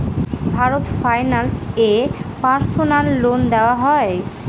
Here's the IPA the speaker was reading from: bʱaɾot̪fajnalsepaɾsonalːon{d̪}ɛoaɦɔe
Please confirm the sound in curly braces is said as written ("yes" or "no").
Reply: yes